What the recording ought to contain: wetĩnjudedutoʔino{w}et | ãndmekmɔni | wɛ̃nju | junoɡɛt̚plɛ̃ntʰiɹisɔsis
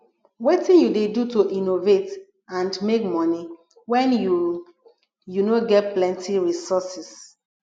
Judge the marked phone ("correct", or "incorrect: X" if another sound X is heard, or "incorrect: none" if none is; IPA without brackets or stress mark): incorrect: v